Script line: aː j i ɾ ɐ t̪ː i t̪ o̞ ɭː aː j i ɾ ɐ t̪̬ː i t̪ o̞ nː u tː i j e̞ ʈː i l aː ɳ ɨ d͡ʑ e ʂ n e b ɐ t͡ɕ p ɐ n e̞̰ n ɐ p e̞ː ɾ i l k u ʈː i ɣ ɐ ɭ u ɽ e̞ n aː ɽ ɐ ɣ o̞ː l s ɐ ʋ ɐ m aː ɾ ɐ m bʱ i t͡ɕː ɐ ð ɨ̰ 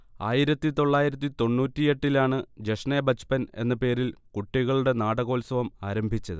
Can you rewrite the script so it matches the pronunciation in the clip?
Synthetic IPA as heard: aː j i ɾ ɐ t̪ː i t̪ o̞ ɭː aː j i ɾ ɐ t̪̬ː i t̪ o̞ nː uː tː i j e̞ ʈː i l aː ɳ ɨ d͡ʑ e ʂ n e b ɐ t͡ɕ p ɐ n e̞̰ nː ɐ p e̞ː ɾ i l k u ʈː i ɣ ɐ ɭ u ɽ e̞ n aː ɽ ɐ ɣ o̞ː l s ɐ ʋ ɐ m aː ɾ ɐ m bʱ i t͡ɕː ɐ ð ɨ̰